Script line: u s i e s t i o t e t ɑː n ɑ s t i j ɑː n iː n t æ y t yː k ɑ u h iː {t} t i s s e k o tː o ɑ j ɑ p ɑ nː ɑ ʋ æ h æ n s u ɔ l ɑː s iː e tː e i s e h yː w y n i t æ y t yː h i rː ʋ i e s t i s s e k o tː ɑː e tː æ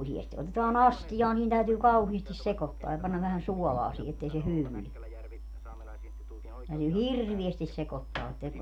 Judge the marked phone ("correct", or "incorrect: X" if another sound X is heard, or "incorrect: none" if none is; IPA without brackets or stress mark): incorrect: s